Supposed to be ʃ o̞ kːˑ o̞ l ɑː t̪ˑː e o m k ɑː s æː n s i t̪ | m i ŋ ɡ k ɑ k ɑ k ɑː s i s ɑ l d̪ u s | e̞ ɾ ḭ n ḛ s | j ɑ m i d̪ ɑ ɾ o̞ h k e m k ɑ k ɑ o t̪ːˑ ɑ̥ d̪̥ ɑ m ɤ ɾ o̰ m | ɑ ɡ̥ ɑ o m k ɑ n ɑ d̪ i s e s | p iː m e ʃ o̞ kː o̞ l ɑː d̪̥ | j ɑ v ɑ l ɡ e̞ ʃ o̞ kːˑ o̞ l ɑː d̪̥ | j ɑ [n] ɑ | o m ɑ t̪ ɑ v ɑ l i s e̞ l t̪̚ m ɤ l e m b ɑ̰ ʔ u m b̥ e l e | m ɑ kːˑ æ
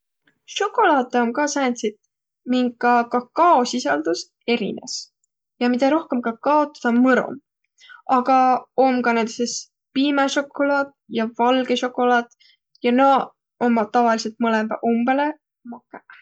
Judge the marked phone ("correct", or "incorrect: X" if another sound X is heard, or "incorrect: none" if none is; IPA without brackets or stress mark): correct